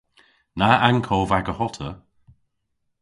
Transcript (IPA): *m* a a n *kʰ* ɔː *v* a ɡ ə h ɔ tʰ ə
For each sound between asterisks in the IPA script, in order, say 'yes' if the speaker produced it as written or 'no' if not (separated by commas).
no, yes, yes